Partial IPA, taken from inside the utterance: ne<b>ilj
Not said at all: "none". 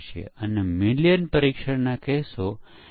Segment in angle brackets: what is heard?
m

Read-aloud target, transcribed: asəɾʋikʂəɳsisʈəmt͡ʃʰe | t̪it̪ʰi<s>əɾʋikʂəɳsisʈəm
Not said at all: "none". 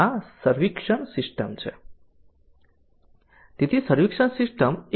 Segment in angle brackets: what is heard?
s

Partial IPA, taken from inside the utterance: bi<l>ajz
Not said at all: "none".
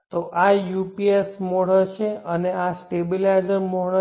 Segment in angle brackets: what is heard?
l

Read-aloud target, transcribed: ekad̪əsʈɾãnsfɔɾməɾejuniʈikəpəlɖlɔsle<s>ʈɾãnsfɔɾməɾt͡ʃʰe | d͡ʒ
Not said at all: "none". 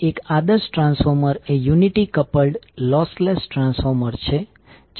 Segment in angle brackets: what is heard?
s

